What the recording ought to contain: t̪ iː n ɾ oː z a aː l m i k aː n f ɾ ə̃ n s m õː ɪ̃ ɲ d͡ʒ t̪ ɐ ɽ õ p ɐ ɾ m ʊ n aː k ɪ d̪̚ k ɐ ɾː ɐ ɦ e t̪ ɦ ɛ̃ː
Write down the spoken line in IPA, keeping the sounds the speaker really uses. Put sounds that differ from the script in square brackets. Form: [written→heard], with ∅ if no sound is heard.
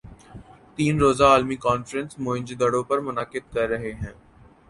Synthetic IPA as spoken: t̪ iː n ɾ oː z a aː l m i k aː n f ɾ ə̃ n s m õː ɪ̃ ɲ d͡ʒ [t̪→d̪] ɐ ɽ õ p ɐ ɾ m ʊ n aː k ɪ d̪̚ k ɐ ɾː ɐ ɦ e [t̪→∅] ɦ ɛ̃ː